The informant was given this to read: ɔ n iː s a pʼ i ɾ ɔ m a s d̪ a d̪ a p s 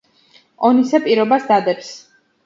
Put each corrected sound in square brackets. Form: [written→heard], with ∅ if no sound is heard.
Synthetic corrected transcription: ɔ n [iː→i] s a pʼ i ɾ ɔ [m→b] a s d̪ a d̪ [a→ɛ] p s

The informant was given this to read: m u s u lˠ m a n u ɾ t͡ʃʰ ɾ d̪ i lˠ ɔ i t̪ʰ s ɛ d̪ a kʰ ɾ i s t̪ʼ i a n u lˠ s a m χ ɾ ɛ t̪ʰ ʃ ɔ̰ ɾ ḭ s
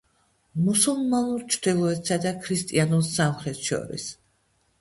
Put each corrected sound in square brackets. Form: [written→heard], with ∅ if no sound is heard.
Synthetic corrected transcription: m u s u lˠ m a n u ɾ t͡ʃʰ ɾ d̪ i lˠ ɔ [i→ɛ] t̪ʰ s [ɛ→a] d̪ a kʰ ɾ i s t̪ʼ i a n u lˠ s a m χ ɾ ɛ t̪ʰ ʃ ɔ̰ ɾ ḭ s

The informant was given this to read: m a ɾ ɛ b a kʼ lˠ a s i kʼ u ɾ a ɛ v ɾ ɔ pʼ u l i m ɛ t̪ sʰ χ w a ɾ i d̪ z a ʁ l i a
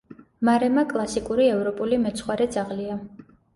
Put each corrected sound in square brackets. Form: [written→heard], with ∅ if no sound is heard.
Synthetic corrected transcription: m a ɾ ɛ [b→m] a kʼ lˠ a s i kʼ u ɾ [a→i] ɛ v ɾ ɔ pʼ u l i m ɛ t̪ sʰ χ w a ɾ [i→ɛ] d̪ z a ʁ l i a

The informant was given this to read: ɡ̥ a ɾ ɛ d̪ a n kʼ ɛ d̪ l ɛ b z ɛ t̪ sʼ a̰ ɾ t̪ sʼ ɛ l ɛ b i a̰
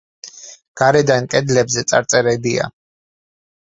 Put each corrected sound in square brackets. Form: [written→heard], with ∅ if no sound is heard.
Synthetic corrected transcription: ɡ̥ a ɾ ɛ d̪ a n kʼ ɛ d̪ l ɛ b z ɛ t̪ sʼ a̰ ɾ t̪ sʼ ɛ [l→ɾ] ɛ b i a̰

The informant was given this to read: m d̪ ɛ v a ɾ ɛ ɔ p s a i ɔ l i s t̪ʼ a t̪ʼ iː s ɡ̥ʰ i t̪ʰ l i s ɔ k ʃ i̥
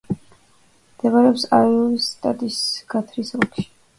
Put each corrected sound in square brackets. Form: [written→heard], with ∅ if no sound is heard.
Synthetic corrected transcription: m d̪ ɛ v a ɾ ɛ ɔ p s a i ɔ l i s t̪ʼ a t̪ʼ [iː→i] s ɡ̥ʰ [i→a] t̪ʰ [l→ɾ] i s ɔ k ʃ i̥

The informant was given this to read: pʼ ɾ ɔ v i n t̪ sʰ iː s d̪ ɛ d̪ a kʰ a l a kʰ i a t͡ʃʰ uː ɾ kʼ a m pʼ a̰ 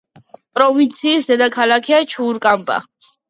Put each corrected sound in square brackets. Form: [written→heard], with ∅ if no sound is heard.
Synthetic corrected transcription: pʼ ɾ ɔ v i n t̪ sʰ iː s d̪ ɛ d̪ a kʰ a l a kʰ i a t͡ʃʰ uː ɾ kʼ a m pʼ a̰

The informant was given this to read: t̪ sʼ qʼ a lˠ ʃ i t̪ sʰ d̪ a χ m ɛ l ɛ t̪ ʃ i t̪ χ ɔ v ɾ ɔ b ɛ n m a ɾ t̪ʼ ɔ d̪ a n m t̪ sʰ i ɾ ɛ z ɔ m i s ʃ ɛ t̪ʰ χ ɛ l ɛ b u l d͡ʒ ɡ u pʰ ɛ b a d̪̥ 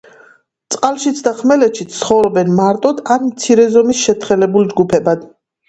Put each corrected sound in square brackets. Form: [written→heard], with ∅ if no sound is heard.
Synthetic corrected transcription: t̪ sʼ qʼ a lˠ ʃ i t̪ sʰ d̪ a χ m ɛ l ɛ t̪ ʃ i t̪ χ ɔ v ɾ ɔ b ɛ n m a ɾ t̪ʼ ɔ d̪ a n m t̪ sʰ i ɾ ɛ z ɔ m i s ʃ ɛ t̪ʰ χ ɛ l ɛ b u l d͡ʒ ɡ u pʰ ɛ b a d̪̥

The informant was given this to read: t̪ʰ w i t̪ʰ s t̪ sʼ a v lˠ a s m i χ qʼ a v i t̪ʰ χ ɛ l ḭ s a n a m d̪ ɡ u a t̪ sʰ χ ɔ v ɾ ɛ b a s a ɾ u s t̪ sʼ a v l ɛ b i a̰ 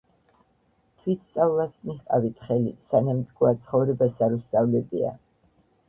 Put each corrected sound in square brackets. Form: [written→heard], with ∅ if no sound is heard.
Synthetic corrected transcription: t̪ʰ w i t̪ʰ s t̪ sʼ a v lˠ a s m i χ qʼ a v i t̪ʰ χ ɛ l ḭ s a n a m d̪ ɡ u a t̪ sʰ χ ɔ v ɾ ɛ b a s a ɾ u s t̪ sʼ a v l ɛ b i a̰

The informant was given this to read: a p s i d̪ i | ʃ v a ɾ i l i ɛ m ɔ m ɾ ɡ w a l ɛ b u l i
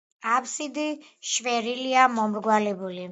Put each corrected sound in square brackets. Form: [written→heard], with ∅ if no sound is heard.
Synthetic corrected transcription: a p s i d̪ i | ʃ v [a→ɛ] ɾ i l i [ɛ→a] m ɔ m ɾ ɡ w a l ɛ b u l i

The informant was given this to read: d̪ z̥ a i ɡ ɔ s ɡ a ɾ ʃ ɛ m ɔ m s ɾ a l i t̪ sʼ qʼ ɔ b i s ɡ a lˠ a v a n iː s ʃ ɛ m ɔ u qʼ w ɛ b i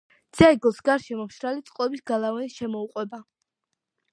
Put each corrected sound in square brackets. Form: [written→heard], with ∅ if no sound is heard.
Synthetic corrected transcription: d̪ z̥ a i ɡ ɔ s ɡ a ɾ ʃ ɛ m ɔ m [s→ʃ] ɾ a l i t̪ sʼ qʼ ɔ b i s ɡ a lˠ a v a n [iː→i] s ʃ ɛ m ɔ u qʼ w ɛ b [i→a]

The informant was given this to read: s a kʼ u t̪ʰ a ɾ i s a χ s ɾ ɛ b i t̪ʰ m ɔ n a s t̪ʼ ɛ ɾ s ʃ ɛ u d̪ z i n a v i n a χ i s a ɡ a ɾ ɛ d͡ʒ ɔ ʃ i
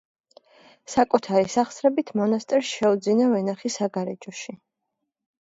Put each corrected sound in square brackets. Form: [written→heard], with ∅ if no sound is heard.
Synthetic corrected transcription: s a kʼ u t̪ʰ a ɾ i s a χ s ɾ ɛ b i t̪ʰ m ɔ n a s t̪ʼ ɛ ɾ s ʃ ɛ u d̪ z i n a v [i→ɛ] n a χ i s a ɡ a ɾ ɛ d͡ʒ ɔ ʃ i

